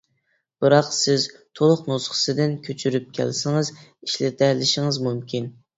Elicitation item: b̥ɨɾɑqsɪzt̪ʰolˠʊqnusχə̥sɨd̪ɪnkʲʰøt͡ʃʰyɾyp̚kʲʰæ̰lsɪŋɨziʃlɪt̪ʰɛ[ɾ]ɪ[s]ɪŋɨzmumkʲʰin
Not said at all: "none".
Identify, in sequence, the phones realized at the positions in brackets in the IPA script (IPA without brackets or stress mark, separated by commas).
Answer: l, ʃ